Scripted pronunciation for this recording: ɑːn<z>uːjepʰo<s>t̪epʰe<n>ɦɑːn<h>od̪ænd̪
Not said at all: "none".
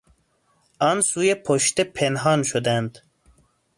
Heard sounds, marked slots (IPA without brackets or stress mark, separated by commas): s, ʃ, n, ʃ